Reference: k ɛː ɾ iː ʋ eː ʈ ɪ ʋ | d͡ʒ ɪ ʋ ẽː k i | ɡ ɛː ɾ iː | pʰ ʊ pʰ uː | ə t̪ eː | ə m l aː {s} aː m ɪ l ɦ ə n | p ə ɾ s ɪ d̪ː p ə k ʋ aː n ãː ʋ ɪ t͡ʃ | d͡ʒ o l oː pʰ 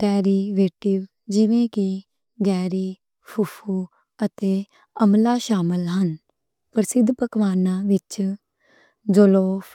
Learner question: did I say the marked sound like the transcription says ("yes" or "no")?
no